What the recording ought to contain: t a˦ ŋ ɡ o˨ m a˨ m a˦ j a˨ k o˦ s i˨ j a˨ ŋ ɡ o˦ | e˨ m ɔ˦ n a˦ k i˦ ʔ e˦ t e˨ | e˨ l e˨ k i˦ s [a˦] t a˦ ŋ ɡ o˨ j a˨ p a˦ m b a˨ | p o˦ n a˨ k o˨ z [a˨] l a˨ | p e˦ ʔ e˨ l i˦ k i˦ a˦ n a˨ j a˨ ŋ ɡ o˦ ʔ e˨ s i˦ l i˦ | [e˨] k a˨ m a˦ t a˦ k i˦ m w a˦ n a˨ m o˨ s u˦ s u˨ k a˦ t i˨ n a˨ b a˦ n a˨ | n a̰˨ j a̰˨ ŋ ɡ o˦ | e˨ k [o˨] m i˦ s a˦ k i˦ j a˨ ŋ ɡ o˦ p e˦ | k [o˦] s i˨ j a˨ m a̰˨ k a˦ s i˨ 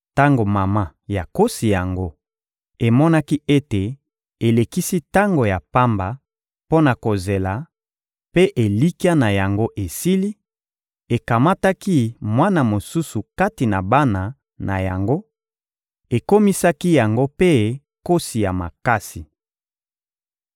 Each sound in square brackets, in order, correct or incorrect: incorrect, incorrect, correct, incorrect, correct

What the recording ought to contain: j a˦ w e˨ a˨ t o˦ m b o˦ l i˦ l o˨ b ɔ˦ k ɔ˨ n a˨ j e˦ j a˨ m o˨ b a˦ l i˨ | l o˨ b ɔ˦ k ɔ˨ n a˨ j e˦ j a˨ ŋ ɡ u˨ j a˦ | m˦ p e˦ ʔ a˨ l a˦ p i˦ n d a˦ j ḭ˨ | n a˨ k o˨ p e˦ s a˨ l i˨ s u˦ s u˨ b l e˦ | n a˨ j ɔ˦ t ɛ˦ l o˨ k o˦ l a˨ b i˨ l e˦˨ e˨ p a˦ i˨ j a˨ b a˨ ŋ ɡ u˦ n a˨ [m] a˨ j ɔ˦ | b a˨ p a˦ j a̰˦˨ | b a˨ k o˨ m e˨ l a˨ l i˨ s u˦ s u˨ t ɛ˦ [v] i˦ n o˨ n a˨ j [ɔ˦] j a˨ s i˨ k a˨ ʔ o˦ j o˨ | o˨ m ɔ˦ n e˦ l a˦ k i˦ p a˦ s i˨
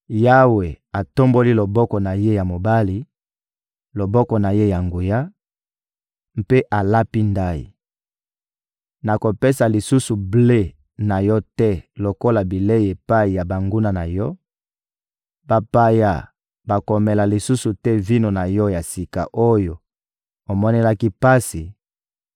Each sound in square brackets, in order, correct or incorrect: incorrect, correct, correct

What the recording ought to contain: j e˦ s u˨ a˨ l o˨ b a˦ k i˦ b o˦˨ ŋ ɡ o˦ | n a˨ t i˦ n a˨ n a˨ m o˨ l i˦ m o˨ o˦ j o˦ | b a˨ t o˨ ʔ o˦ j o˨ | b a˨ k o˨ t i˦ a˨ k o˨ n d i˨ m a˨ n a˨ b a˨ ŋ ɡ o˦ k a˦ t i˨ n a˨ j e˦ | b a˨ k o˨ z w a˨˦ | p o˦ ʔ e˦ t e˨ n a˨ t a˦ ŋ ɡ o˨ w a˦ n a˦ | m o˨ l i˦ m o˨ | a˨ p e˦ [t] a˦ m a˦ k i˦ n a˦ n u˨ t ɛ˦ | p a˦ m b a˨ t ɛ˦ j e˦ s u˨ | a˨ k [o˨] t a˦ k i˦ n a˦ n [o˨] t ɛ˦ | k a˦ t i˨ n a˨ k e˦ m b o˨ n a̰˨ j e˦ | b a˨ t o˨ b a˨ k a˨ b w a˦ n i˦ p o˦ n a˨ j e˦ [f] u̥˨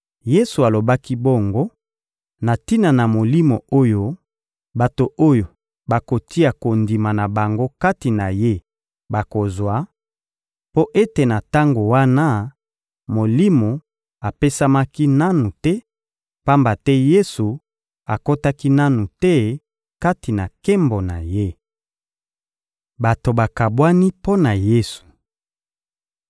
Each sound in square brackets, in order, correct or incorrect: incorrect, incorrect, incorrect, incorrect

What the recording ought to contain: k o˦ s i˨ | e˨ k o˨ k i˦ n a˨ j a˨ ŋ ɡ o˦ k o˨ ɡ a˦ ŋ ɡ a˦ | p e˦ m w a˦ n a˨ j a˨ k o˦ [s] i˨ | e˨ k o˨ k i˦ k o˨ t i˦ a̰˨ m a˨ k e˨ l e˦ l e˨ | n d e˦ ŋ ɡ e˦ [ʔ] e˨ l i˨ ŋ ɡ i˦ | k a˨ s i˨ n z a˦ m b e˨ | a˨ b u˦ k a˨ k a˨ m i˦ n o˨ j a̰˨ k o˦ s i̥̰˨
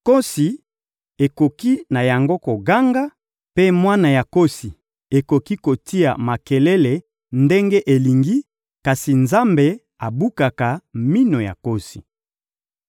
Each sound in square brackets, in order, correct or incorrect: correct, correct

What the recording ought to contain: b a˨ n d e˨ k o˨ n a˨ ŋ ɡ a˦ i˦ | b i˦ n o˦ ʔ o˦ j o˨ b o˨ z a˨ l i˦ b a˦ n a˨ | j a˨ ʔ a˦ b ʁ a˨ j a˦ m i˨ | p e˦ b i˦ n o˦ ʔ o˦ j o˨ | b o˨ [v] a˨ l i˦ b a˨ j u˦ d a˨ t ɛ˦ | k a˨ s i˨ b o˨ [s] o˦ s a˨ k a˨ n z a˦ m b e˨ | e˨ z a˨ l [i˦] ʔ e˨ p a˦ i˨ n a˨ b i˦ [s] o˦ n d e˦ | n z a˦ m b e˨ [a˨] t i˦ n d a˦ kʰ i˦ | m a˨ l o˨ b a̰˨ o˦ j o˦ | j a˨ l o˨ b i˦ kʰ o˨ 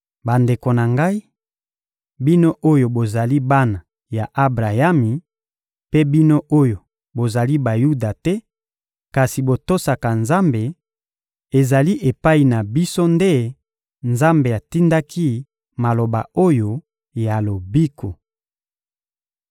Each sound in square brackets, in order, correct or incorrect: incorrect, incorrect, correct, correct, correct

